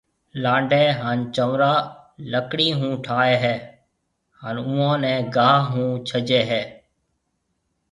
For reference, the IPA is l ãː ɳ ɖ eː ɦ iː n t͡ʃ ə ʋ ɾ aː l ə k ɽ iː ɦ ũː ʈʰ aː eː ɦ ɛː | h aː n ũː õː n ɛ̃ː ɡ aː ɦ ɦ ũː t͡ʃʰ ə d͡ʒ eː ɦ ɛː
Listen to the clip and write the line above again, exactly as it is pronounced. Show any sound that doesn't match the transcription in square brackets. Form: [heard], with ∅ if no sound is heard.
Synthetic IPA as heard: l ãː ɳ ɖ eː ɦ [aː] n t͡ʃ ə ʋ ɾ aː l ə k ɽ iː ɦ ũː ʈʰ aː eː ɦ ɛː | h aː n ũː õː n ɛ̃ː ɡ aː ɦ ɦ ũː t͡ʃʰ ə d͡ʒ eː ɦ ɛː